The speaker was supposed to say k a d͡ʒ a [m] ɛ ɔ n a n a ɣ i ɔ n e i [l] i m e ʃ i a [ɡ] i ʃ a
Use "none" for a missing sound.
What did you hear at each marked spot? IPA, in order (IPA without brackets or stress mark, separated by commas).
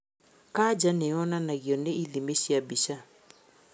n, l, b